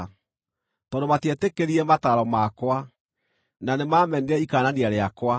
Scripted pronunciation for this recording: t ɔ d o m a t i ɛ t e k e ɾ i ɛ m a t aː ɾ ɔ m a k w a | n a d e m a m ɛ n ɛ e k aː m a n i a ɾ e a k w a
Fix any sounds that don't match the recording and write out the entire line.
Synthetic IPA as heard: t ɔ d o m a t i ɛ t e k e ɾ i ɛ m a t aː ɾ ɔ m a k w a | n a n e m a m ɛ n ɛ i k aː n a n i a ɾ e a k w a